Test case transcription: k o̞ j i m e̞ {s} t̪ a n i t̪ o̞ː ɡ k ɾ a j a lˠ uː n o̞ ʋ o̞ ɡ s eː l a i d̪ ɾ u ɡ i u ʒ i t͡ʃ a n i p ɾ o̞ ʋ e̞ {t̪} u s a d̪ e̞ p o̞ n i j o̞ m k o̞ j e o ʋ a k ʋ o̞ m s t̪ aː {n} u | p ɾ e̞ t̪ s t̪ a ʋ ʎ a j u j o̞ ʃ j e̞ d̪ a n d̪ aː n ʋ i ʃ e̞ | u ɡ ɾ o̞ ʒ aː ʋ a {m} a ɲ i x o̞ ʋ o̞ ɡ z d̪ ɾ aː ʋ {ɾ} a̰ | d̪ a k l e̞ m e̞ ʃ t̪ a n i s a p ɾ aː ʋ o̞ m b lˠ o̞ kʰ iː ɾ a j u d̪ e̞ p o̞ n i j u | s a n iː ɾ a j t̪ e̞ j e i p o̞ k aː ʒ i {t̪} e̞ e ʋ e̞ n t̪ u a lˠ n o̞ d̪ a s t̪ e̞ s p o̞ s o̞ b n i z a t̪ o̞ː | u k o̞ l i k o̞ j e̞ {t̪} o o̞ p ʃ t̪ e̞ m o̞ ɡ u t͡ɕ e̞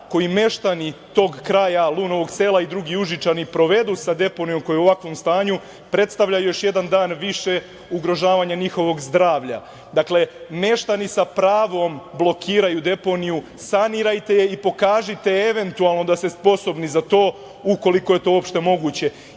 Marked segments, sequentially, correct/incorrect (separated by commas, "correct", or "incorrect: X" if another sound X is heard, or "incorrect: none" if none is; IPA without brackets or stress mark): incorrect: ʃ, incorrect: d̪, incorrect: ɲ, incorrect: ɲ, incorrect: ʎ, correct, correct